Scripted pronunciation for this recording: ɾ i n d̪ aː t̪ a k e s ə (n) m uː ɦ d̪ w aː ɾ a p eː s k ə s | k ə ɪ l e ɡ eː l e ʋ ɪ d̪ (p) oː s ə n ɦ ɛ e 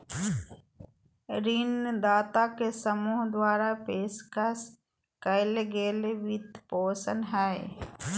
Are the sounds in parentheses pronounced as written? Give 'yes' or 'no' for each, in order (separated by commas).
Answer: no, yes